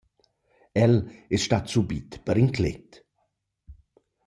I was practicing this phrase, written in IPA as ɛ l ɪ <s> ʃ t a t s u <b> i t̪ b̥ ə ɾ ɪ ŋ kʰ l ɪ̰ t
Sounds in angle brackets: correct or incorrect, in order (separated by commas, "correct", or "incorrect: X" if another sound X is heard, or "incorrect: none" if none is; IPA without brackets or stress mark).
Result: correct, correct